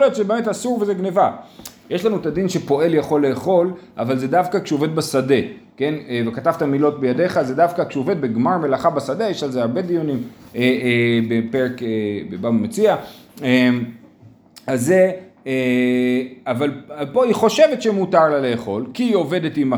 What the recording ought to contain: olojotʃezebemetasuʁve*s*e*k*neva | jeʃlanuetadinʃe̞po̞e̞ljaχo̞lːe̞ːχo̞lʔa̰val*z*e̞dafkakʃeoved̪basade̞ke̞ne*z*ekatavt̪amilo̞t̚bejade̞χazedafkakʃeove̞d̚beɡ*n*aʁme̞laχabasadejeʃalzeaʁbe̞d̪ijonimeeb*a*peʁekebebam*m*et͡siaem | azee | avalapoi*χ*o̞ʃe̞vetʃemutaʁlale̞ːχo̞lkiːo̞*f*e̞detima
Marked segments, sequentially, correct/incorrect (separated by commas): incorrect, incorrect, correct, incorrect, incorrect, incorrect, correct, correct, incorrect